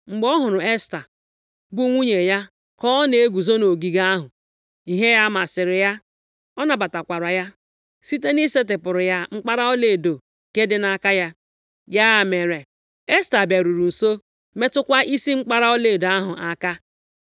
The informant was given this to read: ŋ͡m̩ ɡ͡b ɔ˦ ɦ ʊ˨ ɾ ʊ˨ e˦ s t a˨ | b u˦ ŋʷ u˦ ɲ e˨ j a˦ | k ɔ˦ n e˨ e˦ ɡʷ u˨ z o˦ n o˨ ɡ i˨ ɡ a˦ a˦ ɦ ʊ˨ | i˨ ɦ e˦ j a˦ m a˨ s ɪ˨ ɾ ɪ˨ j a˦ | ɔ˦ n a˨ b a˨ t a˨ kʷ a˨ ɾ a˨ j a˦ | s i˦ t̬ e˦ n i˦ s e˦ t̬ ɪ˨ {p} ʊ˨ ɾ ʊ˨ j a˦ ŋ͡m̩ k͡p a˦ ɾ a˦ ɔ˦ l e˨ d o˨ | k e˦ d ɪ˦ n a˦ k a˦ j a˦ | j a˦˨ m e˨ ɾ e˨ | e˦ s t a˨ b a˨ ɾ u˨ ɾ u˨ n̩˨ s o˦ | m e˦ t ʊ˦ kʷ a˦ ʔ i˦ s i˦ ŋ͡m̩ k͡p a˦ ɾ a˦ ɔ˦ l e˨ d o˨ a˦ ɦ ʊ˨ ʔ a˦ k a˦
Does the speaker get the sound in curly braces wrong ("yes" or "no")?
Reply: no